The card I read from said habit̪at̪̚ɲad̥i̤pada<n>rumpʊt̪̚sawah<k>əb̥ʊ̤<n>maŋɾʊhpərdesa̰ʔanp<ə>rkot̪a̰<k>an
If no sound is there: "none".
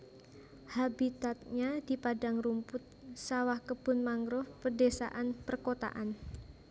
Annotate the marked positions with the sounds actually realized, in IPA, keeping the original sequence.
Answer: ŋ, k, n, ə, ʔ

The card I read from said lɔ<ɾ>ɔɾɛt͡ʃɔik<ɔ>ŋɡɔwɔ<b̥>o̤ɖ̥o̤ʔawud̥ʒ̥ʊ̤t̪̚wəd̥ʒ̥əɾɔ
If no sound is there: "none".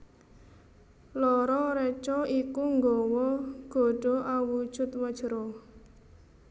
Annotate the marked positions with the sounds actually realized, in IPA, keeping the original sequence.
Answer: ɾ, u, ɡ̥

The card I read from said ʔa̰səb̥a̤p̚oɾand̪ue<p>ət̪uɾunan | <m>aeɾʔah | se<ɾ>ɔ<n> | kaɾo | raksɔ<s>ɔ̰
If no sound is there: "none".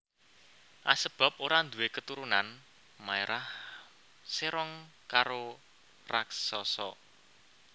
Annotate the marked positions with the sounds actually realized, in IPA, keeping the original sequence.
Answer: k, m, ɾ, ŋ, s

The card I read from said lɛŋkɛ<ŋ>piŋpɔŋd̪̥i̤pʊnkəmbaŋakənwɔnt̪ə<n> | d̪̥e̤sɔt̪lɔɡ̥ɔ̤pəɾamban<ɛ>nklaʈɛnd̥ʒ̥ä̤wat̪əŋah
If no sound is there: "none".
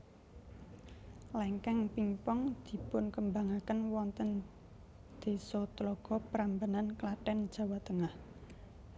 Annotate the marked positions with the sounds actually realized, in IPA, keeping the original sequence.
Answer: ŋ, n, a

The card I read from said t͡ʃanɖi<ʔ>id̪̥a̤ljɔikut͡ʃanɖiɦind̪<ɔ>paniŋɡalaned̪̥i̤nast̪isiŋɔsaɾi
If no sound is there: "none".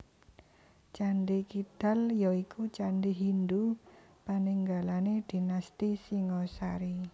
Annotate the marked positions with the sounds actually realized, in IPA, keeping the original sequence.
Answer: k, u

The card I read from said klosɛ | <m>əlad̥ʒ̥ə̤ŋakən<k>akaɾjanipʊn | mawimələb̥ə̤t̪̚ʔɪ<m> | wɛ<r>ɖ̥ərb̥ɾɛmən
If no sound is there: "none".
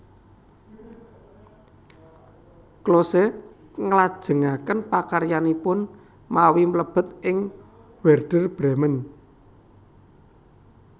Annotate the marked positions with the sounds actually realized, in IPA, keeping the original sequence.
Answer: ŋ, p, ŋ, r

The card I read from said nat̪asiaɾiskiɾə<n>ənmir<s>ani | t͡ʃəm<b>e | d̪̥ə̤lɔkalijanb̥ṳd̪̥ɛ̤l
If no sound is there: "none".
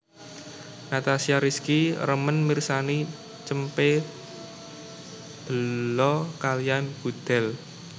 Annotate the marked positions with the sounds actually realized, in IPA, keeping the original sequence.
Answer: m, s, p

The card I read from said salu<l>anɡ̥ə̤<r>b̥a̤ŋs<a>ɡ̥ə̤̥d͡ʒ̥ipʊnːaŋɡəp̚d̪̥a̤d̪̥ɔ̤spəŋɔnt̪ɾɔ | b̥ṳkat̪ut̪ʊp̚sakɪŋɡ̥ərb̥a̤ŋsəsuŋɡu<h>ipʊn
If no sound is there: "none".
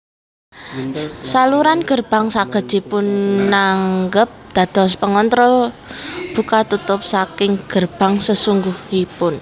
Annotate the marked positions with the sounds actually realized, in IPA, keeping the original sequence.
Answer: ɾ, r, a, h

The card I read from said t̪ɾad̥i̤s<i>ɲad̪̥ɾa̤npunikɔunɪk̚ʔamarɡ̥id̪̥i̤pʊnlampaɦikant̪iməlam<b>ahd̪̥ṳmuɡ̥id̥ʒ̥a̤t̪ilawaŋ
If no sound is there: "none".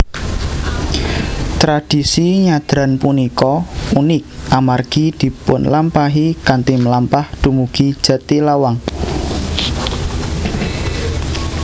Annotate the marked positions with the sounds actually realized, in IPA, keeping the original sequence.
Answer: i, p

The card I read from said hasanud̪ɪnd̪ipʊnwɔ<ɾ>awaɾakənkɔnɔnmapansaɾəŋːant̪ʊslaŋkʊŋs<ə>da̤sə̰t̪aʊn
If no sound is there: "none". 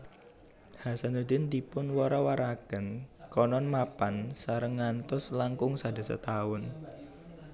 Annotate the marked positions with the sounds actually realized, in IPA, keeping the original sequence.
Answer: ɾ, a

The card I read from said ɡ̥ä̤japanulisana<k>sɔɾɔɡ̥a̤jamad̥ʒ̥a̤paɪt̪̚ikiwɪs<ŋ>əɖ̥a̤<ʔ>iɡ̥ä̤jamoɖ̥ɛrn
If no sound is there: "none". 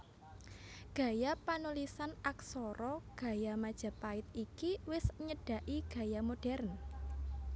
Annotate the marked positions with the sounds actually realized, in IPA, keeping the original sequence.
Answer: k, ɲ, ʔ

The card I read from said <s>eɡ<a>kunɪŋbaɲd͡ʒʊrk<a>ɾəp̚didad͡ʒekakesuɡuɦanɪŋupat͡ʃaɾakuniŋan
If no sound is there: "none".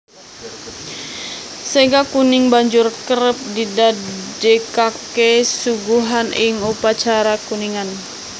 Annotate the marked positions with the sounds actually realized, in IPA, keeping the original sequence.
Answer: s, a, ə

